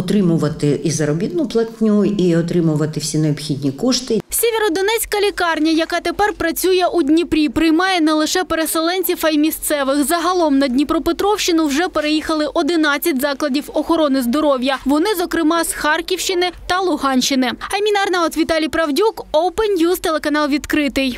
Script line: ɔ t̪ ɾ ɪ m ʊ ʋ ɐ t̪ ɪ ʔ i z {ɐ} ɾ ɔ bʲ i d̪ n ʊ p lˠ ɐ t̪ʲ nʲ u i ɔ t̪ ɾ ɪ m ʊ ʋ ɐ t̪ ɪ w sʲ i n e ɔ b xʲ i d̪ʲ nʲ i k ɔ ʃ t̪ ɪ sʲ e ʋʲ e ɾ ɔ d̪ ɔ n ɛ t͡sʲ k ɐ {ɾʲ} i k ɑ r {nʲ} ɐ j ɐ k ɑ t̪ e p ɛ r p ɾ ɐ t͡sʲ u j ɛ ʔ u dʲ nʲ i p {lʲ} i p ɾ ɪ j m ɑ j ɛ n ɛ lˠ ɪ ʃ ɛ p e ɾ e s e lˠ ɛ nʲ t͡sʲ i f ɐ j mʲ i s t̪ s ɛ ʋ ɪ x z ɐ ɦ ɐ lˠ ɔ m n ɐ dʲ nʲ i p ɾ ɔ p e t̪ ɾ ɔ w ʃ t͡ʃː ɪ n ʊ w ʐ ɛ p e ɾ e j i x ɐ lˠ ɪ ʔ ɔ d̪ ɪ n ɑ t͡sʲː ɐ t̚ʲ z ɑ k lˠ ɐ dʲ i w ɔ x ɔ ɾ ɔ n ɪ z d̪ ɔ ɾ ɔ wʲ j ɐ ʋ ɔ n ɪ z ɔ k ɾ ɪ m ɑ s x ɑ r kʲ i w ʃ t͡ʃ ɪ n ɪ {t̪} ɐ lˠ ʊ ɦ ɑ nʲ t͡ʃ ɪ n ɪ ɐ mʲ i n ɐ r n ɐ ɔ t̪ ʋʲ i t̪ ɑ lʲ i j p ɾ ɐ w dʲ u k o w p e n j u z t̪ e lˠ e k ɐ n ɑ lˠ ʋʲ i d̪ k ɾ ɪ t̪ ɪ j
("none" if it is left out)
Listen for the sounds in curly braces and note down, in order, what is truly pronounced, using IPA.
ɐ, lʲ, nʲ, ɾʲ, t̪

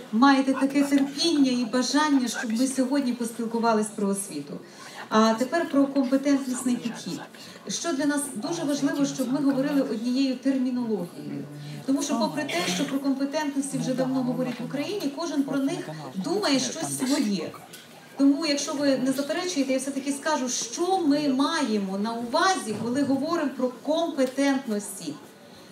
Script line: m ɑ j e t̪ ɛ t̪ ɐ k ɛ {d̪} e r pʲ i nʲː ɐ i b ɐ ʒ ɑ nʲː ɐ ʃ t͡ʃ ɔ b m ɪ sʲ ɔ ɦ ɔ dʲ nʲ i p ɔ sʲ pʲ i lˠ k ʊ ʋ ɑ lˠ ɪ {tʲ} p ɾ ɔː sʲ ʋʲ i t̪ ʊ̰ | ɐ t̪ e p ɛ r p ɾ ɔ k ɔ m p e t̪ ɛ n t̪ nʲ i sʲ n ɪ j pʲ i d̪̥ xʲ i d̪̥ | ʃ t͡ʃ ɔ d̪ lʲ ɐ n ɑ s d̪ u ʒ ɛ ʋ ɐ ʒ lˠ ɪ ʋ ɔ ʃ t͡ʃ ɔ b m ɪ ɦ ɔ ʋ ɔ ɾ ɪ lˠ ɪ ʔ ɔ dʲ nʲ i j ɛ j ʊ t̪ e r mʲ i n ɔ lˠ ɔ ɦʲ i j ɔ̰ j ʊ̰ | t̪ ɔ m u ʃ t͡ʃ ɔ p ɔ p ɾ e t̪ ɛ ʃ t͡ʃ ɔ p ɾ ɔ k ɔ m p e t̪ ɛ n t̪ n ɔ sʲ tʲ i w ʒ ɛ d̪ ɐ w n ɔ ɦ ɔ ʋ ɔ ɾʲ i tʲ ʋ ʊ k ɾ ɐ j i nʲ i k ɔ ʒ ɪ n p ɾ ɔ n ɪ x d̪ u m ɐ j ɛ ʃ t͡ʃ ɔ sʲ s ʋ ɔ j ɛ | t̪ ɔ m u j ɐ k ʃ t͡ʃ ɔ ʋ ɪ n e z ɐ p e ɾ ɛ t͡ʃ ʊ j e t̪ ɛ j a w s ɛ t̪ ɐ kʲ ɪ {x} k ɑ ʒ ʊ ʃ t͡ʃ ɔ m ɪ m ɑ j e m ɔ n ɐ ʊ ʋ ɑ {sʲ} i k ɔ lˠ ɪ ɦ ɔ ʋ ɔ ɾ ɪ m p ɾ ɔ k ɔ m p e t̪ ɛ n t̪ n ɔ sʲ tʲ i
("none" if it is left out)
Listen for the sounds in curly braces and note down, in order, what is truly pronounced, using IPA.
t̪, sʲ, s, zʲ

